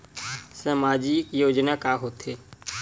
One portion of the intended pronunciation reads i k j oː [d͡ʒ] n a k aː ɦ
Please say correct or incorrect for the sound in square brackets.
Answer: correct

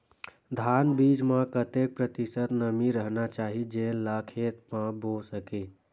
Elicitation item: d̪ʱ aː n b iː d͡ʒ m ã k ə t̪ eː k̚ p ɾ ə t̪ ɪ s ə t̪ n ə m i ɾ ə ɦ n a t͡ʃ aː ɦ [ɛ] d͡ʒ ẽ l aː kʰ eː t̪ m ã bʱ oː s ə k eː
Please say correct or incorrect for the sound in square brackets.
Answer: incorrect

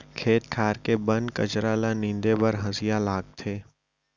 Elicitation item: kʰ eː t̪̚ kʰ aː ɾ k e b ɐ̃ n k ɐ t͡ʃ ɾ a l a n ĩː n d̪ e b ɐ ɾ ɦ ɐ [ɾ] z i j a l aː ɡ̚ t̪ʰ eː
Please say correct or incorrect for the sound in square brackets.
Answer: incorrect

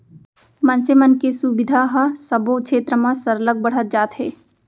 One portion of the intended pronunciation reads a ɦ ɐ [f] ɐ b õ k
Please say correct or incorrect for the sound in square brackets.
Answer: incorrect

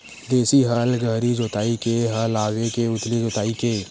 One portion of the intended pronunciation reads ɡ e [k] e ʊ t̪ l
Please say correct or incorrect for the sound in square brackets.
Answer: correct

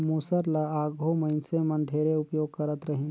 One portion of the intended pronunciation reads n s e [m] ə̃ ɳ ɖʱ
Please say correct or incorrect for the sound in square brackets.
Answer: correct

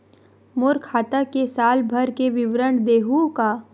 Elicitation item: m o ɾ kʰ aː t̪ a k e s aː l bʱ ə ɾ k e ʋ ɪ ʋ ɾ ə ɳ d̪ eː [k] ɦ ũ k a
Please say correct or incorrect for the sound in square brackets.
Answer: incorrect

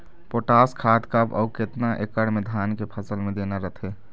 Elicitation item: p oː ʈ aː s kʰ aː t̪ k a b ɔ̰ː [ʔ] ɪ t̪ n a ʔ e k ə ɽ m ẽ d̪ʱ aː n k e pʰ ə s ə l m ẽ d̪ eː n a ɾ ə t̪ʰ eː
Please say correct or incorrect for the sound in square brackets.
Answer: incorrect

